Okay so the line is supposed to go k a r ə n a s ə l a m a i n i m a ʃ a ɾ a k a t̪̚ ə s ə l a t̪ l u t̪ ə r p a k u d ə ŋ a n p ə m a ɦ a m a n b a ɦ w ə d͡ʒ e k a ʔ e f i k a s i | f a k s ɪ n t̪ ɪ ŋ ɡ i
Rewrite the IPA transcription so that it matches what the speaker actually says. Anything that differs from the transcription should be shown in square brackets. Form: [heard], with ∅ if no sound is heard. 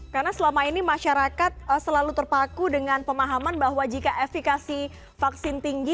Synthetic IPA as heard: k a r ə n a s ə l a m a i n i m a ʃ a ɾ a k a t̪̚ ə s ə l a [∅] l u t̪ ə r p a k u d ə ŋ a n p ə m a ɦ a m a n b a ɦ w [a] d͡ʒ [i] k a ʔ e f i k a s i | f a k s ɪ n t̪ [i] ŋ ɡ i